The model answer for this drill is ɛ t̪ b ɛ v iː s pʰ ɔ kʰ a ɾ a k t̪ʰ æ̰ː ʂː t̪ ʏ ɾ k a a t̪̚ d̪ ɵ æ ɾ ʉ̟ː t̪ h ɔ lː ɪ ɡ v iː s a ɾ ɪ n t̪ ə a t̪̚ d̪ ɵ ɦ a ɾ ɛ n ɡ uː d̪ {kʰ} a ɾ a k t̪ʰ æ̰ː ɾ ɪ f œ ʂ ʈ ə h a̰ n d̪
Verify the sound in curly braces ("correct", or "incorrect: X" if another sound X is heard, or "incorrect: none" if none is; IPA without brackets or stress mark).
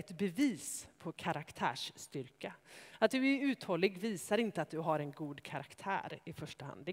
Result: correct